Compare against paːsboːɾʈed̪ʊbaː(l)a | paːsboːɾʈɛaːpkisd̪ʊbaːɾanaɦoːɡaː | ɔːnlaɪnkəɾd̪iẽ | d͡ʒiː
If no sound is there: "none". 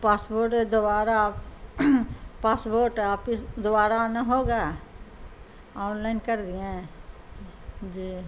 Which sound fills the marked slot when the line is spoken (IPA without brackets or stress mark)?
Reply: ɾ